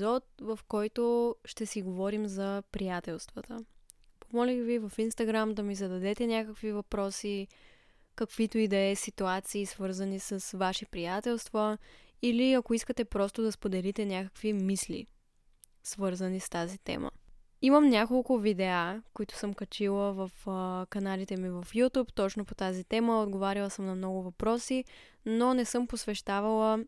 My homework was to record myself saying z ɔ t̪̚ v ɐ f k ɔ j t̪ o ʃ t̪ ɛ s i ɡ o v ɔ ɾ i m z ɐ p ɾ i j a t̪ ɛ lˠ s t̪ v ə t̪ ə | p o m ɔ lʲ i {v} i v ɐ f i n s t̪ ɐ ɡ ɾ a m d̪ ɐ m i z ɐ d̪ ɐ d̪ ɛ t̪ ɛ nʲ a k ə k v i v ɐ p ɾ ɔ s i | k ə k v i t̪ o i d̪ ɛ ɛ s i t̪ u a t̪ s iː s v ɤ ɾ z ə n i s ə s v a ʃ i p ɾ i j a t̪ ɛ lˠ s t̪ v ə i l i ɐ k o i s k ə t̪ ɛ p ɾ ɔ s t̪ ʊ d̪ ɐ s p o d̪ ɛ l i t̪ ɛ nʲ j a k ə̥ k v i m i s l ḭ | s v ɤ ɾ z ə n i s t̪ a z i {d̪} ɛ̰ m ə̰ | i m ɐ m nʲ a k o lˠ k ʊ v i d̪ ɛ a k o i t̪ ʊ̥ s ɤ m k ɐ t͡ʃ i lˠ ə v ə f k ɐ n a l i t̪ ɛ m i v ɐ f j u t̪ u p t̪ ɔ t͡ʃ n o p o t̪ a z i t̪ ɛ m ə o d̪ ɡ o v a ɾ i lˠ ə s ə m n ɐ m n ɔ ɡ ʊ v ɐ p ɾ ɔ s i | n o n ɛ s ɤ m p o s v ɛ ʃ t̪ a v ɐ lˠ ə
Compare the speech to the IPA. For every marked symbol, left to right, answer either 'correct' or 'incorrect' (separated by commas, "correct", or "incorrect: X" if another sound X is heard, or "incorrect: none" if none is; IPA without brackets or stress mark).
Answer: correct, incorrect: t̪